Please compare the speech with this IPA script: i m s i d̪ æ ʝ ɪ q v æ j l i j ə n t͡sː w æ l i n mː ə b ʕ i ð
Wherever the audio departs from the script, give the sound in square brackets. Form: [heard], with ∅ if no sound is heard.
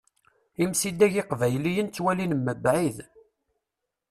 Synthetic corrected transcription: i m s i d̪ æ ʝ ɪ q v æ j l i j ə n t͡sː w æ l i n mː ə b ʕ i ð